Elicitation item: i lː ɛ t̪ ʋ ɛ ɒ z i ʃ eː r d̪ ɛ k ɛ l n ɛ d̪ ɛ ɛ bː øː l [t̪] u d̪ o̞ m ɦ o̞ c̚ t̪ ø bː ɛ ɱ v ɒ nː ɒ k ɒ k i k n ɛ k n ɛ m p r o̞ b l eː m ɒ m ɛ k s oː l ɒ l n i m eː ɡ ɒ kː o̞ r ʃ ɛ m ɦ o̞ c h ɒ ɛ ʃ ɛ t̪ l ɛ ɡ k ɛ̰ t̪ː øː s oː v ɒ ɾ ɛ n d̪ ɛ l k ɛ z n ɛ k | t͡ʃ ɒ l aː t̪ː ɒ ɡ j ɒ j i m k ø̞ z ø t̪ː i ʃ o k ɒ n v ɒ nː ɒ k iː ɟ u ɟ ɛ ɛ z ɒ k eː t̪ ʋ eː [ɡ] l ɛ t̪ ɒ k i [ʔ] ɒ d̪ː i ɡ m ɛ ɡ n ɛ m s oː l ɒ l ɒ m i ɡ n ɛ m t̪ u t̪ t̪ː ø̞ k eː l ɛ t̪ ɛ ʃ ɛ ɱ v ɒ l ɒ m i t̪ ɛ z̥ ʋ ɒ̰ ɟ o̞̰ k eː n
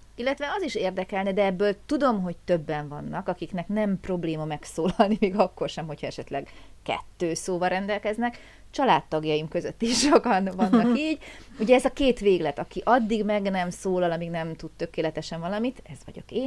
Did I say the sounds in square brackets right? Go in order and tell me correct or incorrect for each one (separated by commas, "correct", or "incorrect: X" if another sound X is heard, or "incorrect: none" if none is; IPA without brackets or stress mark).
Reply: correct, correct, correct